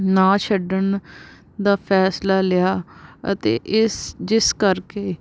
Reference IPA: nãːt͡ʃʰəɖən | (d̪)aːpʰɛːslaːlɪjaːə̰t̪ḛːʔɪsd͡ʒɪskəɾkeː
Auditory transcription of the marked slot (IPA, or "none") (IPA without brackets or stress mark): d̪